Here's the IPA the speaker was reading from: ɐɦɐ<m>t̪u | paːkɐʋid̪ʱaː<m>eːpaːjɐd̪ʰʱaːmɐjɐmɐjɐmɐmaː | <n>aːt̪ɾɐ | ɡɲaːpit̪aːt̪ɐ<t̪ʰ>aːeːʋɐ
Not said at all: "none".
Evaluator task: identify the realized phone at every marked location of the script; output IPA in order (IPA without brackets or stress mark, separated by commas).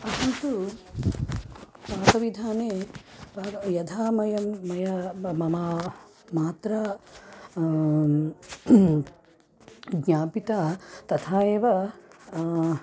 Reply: n, n, m, t̪ʰ